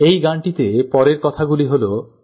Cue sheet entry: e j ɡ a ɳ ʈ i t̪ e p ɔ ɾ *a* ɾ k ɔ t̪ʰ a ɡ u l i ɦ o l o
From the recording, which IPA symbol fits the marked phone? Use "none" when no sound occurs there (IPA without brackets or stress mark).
e